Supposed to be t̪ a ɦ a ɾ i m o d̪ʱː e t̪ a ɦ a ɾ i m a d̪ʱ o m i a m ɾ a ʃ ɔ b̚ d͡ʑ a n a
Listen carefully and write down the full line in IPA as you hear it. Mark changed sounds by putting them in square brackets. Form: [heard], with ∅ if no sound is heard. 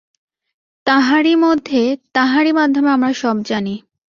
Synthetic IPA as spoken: t̪ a ɦ a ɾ i m o d̪ʱː e t̪ a ɦ a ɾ i m a d̪ʱ o m [e] a m ɾ a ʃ ɔ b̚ d͡ʑ a n [i]